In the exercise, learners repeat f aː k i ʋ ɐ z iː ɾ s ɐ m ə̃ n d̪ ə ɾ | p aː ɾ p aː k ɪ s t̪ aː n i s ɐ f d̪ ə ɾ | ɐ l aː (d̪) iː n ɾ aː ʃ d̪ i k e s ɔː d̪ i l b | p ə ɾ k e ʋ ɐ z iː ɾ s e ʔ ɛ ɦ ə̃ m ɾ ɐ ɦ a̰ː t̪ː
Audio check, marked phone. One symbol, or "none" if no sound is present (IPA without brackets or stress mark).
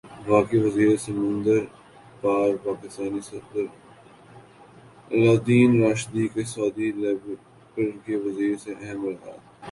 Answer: d̪